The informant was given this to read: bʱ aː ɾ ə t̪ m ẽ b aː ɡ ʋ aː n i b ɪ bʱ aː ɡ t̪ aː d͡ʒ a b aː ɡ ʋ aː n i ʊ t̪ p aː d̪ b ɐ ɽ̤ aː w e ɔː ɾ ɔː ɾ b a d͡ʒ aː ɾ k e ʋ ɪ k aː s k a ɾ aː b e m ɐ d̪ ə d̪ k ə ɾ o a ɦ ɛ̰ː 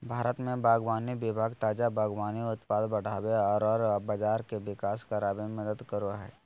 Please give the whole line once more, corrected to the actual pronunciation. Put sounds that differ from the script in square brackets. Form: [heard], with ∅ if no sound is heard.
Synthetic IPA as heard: bʱ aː ɾ ə t̪ m ẽ b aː ɡ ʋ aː n i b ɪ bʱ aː ɡ t̪ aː d͡ʒ a b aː ɡ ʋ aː n i ʊ t̪ p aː d̪ b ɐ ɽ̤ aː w e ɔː ɾ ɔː ɾ b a d͡ʒ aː ɾ k e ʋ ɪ k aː s k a ɾ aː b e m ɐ d̪ ə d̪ k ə ɾ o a ɦ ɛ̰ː

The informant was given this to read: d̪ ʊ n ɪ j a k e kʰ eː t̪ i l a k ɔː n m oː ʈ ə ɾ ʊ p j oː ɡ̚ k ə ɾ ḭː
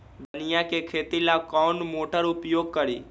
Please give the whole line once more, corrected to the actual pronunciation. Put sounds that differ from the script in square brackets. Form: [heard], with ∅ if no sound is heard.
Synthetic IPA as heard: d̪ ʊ n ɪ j a k e kʰ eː t̪ i l a k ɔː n m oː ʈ ə ɾ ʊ p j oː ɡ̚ k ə ɾ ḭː

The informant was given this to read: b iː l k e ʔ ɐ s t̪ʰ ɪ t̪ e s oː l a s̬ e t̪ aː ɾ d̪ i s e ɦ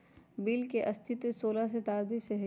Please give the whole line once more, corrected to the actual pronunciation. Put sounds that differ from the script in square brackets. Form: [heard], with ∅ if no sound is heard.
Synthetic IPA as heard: b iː l k e ʔ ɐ s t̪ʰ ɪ t̪ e s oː l a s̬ e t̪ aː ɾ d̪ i s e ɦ

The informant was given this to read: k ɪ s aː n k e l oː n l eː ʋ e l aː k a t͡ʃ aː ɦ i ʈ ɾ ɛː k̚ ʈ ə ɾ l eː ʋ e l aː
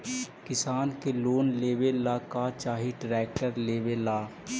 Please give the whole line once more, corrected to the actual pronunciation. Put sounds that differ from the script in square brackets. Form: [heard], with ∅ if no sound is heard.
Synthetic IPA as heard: k ɪ s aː n k e l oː n l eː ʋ e l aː k a t͡ʃ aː ɦ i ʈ ɾ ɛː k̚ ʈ ə ɾ l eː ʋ e l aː

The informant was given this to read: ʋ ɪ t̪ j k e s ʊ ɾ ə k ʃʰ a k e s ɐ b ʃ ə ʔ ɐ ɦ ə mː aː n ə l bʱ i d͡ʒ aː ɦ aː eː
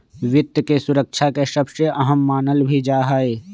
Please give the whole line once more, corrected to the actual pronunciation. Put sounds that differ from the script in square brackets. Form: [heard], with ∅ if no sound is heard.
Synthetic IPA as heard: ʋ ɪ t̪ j k e s ʊ ɾ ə k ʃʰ a k e [ʃ] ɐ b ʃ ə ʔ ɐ ɦ ə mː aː n ə l bʱ i d͡ʒ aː ɦ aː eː

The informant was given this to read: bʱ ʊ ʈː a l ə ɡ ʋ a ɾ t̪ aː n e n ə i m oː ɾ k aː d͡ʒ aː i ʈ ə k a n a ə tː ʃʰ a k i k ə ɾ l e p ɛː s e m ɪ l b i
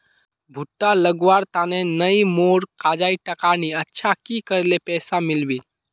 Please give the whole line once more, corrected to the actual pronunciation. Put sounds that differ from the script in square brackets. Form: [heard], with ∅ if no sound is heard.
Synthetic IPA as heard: bʱ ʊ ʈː a l ə ɡ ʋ a ɾ t̪ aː n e n ə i m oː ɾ k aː d͡ʒ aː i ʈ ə k a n [i] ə tː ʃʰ a k i k ə ɾ l e p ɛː s [a] m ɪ l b i

